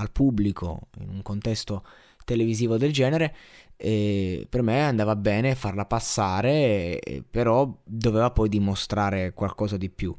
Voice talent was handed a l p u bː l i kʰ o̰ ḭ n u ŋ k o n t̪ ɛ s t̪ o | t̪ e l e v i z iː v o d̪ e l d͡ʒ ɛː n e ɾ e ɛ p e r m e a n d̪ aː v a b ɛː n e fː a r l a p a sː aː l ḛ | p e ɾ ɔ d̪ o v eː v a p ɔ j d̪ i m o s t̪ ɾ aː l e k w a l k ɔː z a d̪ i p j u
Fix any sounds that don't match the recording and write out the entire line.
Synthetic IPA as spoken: a l p u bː l i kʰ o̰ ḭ n u ŋ k o n t̪ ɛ s t̪ o | t̪ e l e v i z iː v o d̪ e l d͡ʒ ɛː n e ɾ e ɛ p e r m e a n d̪ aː v a b ɛː n e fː a r l a p a sː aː ɾ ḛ | p e ɾ ɔ d̪ o v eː v a p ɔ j d̪ i m o s t̪ ɾ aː ɾ e k w a l k ɔː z a d̪ i p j u